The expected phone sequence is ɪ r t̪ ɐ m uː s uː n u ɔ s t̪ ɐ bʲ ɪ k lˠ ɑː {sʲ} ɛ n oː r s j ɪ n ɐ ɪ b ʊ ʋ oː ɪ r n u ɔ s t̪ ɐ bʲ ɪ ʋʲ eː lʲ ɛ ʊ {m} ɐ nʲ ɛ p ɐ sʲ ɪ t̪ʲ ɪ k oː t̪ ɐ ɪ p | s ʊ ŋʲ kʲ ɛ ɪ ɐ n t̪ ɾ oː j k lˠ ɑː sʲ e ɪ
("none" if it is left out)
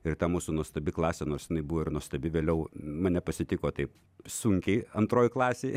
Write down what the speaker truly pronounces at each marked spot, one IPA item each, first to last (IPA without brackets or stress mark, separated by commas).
sʲ, m